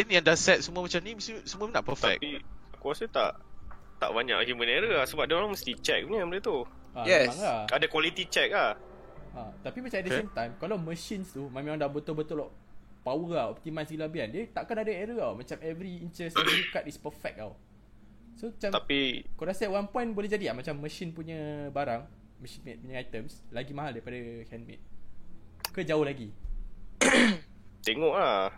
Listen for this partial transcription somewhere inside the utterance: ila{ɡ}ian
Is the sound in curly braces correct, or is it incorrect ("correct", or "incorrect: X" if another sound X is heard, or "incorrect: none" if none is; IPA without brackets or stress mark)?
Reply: incorrect: b